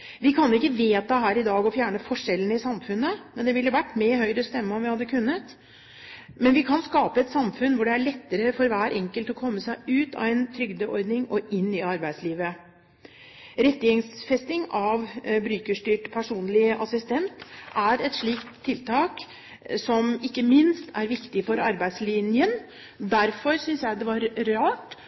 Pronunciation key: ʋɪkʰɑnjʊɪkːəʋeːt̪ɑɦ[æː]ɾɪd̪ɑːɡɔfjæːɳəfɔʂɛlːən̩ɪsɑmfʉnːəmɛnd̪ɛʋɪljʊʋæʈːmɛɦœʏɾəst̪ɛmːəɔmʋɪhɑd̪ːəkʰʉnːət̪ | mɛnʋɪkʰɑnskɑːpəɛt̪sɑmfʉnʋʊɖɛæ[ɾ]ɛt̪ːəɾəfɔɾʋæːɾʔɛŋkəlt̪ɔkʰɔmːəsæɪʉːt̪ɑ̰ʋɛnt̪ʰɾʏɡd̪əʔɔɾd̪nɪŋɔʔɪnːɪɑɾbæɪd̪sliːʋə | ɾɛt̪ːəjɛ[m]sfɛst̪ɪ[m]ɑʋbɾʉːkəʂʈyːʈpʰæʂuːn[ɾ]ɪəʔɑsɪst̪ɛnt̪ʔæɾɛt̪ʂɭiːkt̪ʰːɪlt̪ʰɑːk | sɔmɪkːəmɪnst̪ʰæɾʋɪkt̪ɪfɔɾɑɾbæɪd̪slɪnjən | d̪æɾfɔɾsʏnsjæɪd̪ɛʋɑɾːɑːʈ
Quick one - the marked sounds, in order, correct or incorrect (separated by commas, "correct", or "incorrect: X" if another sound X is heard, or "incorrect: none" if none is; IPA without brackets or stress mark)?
correct, incorrect: ɭ, incorrect: ŋ, incorrect: ŋ, incorrect: l